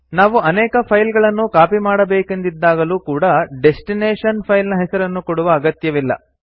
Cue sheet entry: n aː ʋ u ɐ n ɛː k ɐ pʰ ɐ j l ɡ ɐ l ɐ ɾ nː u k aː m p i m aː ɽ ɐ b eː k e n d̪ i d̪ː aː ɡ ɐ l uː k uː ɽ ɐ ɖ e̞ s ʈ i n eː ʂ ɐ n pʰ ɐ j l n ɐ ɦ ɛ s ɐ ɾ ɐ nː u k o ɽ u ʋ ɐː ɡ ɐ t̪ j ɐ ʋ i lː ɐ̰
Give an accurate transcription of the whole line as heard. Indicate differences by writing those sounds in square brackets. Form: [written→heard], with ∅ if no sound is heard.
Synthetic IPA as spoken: n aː ʋ u ɐ n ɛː k ɐ pʰ ɐ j l ɡ ɐ [l→ɭ] ɐ [ɾ→∅] nː u k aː [m→∅] p i m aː ɽ ɐ b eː k e n d̪ i d̪ː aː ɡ ɐ l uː k uː ɽ ɐ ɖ e̞ s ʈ i n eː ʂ ɐ n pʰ ɐ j l n ɐ ɦ ɛ s ɐ ɾ ɐ nː u k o ɽ u ʋ ɐː ɡ ɐ t̪ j ɐ ʋ i lː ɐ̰